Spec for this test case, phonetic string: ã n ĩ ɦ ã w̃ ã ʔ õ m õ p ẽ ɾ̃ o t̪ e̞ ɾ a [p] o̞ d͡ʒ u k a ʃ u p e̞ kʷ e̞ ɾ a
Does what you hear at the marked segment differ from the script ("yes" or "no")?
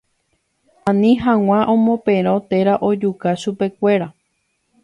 yes